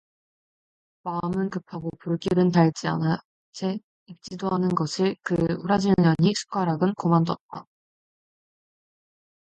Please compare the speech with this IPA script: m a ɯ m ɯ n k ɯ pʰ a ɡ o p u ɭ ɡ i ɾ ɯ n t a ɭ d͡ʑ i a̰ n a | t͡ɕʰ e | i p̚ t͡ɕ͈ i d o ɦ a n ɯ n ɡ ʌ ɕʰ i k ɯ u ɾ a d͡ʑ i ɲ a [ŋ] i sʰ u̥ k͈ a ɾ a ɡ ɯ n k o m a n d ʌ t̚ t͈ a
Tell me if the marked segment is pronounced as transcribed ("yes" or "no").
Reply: no